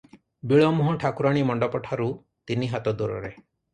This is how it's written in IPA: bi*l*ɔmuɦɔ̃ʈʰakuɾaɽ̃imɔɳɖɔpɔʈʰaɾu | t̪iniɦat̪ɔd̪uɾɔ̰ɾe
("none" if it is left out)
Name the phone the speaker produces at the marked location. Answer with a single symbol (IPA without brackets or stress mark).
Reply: ɭ